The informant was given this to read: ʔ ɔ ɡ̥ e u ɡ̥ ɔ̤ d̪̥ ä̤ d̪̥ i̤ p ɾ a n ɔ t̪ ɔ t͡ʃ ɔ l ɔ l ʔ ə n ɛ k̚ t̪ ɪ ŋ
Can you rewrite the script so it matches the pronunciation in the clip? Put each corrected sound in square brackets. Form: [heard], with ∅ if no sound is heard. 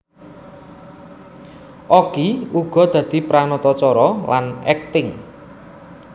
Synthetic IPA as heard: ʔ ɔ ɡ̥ [i] u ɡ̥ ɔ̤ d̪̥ ä̤ d̪̥ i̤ p ɾ a n ɔ t̪ ɔ t͡ʃ ɔ [ɾ] ɔ l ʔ [a] n ɛ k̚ t̪ ɪ ŋ